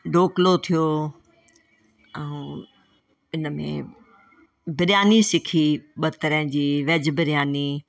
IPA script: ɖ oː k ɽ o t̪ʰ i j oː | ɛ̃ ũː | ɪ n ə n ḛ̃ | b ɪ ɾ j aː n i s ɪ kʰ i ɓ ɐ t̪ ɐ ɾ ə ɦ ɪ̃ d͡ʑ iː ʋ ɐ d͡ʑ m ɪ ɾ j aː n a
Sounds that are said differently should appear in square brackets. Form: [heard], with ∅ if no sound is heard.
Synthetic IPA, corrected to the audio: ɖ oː k [l] o t̪ʰ i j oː | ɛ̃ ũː | ɪ n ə [m] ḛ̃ | b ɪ ɾ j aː n i s ɪ kʰ i ɓ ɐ t̪ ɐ ɾ ə ɦ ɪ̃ d͡ʑ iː ʋ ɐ d͡ʑ [b] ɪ ɾ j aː n [i]